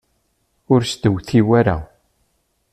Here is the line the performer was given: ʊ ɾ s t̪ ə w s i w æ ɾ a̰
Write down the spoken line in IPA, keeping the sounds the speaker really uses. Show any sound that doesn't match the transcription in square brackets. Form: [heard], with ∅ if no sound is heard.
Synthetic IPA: ʊ ɾ s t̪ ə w [θ] i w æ ɾ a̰